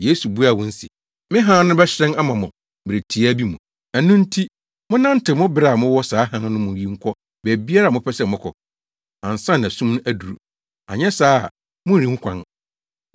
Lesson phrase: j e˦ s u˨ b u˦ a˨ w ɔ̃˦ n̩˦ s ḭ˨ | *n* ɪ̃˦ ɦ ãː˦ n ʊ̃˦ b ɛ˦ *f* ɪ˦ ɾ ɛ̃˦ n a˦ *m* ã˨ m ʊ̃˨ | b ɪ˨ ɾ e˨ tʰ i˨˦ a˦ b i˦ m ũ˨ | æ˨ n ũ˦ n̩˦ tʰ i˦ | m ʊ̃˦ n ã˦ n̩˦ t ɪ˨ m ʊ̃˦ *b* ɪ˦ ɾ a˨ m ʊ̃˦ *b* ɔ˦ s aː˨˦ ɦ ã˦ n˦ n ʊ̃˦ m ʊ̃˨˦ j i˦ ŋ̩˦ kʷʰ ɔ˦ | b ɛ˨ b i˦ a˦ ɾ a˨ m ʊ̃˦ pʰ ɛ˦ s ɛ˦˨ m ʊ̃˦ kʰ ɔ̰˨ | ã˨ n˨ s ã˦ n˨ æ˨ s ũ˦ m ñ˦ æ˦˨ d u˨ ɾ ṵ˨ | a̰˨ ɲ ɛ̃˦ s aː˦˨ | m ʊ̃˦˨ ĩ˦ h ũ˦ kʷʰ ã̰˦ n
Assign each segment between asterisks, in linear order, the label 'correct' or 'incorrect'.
incorrect: m, incorrect: ɕ, correct, correct, incorrect: w

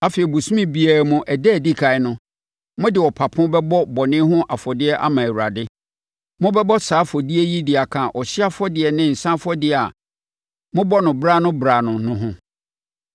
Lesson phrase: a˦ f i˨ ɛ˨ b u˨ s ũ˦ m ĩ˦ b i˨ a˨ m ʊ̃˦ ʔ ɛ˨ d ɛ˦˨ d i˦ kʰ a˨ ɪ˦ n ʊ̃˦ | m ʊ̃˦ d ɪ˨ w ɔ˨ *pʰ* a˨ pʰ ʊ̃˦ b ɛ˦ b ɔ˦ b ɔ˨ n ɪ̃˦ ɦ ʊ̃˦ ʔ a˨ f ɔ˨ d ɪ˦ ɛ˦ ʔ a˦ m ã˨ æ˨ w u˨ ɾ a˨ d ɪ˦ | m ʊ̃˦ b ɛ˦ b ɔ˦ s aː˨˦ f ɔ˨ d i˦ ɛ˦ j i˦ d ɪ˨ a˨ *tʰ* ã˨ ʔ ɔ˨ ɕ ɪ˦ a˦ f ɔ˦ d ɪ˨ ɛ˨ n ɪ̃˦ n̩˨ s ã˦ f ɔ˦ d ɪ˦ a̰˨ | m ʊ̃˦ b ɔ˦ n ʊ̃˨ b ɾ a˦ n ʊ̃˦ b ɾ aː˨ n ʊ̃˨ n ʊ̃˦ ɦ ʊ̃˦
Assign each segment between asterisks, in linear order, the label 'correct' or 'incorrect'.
correct, incorrect: kʰ

